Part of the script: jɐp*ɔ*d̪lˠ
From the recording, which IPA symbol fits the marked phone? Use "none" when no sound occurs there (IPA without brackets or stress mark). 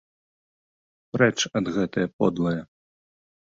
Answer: ɔ